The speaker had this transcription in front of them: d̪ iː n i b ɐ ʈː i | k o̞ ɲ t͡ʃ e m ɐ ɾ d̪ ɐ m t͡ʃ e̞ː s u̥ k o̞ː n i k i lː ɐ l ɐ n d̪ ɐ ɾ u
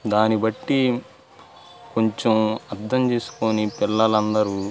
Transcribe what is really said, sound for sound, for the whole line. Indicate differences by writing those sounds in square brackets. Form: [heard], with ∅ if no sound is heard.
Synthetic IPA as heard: d̪ [aː] n i b ɐ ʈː i | k o̞ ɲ t͡ʃ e m ɐ ɾ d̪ ɐ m t͡ʃ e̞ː s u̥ k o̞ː n i [p] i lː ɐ l ɐ n d̪ ɐ ɾ u